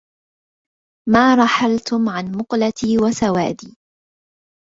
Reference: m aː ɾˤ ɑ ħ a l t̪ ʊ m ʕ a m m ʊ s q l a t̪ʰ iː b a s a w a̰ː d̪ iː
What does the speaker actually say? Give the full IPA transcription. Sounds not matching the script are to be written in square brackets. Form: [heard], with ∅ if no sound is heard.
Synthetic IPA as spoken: m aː ɾˤ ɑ ħ a l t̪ ʊ m ʕ a [n] m ʊ [∅] q l a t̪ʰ iː [w] a s a w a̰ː d̪ iː